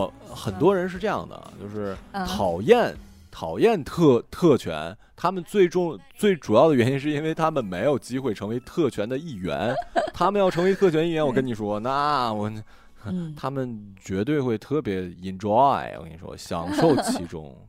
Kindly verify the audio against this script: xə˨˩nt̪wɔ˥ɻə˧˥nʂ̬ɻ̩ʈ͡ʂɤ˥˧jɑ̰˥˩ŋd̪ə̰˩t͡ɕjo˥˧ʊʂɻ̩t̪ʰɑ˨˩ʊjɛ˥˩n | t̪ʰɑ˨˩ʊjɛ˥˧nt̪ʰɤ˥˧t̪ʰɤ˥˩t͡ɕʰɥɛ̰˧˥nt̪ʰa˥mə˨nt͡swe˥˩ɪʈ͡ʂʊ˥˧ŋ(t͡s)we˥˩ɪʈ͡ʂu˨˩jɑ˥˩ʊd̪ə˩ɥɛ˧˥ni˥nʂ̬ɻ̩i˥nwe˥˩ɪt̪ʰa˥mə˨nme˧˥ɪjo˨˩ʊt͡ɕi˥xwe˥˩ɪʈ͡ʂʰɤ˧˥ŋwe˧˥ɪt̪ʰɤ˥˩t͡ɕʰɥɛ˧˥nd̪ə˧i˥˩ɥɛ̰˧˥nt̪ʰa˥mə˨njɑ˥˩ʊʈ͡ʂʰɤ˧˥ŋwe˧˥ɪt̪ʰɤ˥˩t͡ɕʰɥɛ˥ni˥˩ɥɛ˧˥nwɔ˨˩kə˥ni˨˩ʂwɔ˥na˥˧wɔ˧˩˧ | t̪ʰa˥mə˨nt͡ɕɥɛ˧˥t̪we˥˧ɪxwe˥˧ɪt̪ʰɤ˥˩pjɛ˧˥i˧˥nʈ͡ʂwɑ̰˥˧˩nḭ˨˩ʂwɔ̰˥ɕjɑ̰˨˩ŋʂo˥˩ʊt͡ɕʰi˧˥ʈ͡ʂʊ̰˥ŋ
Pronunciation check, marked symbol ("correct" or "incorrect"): correct